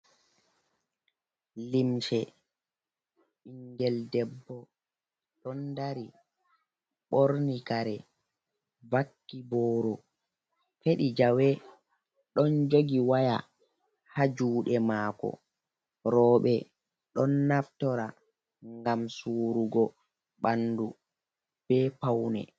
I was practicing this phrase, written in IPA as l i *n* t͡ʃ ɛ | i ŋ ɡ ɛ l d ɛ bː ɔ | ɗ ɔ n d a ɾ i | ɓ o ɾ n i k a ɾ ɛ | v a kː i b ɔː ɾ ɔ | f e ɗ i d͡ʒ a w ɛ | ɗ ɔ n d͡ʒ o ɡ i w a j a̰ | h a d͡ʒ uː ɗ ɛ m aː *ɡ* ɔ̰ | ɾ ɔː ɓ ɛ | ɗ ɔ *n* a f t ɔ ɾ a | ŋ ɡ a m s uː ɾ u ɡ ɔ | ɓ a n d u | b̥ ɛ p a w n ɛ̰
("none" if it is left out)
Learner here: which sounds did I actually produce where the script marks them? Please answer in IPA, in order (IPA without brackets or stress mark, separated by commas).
m, k, nː